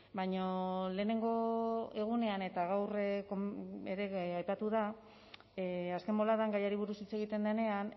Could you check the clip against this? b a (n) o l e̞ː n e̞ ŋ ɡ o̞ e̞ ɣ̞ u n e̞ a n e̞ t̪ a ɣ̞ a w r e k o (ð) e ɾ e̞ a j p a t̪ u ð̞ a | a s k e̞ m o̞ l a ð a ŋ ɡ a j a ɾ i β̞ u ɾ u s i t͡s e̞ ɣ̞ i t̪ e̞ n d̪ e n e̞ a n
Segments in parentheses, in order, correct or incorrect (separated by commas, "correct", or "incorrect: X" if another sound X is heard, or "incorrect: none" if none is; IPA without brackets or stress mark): incorrect: ɲ, incorrect: none